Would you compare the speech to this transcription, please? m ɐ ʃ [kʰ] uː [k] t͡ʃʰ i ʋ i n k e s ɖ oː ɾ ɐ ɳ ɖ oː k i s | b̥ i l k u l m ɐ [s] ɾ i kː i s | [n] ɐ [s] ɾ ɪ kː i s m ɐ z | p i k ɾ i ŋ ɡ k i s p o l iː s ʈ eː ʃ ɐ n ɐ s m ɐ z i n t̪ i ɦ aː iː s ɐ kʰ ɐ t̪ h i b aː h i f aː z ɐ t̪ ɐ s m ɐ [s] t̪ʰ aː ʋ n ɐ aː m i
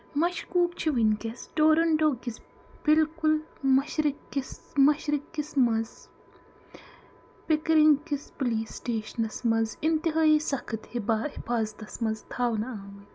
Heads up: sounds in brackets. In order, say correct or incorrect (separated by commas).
incorrect, correct, incorrect, incorrect, incorrect, incorrect